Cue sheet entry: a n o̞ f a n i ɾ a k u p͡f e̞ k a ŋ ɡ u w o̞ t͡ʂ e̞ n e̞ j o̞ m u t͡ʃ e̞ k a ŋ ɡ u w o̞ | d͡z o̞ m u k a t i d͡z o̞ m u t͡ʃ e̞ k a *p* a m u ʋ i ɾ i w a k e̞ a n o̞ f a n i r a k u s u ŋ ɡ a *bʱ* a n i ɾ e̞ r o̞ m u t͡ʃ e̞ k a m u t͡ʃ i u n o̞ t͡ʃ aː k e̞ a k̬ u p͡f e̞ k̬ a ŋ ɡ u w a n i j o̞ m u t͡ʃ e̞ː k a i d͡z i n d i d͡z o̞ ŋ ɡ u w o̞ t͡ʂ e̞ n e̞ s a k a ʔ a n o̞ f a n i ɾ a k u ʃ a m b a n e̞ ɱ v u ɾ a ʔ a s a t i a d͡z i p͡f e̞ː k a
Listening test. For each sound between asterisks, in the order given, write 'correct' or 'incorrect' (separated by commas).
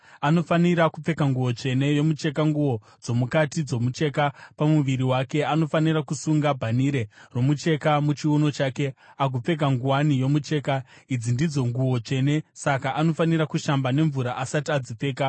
correct, correct